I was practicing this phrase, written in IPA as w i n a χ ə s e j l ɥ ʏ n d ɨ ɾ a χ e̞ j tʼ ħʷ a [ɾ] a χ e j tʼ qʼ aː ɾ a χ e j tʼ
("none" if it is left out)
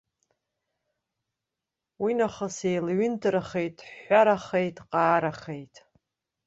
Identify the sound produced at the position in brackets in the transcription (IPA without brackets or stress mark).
ɾ